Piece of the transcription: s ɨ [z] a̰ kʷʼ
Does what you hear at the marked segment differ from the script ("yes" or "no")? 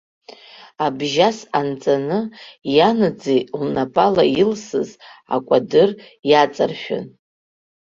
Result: no